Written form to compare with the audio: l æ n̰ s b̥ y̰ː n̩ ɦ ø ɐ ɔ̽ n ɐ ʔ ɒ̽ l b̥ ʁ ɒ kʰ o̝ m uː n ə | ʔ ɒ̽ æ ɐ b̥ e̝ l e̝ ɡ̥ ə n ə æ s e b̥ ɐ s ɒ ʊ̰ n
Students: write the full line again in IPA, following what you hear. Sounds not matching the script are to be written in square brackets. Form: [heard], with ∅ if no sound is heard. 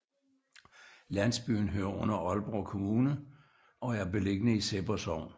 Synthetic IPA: l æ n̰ s b̥ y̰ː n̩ ɦ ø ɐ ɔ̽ n ɐ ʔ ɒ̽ l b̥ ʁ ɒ kʰ o̝ m uː n ə | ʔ ɒ̽ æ ɐ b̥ e̝ l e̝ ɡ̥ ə n ə [i] s e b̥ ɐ s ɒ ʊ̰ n